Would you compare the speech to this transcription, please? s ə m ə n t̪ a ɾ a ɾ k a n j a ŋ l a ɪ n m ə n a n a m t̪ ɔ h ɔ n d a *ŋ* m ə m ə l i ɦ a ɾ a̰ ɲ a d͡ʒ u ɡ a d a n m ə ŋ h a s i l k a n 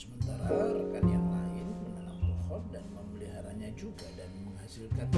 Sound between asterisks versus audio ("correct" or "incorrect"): incorrect